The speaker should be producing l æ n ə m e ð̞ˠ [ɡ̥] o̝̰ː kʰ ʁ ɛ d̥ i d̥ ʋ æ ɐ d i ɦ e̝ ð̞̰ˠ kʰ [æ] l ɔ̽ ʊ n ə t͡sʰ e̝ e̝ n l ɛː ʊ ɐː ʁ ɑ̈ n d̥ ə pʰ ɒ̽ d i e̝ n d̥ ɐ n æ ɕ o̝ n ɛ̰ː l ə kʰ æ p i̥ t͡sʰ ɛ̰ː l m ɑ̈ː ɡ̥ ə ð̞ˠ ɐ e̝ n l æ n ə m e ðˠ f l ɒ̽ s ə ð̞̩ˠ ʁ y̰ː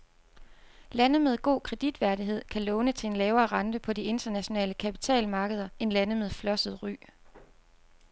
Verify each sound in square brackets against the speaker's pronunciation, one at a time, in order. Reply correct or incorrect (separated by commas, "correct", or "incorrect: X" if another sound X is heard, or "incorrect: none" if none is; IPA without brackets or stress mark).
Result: correct, correct